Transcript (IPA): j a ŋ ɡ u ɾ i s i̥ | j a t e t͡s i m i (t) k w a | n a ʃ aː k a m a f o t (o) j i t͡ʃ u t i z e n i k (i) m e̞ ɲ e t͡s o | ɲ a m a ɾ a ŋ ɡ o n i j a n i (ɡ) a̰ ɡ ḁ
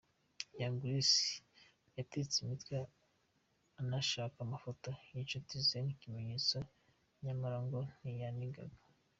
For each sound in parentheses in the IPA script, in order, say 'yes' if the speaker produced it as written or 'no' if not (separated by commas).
yes, yes, yes, yes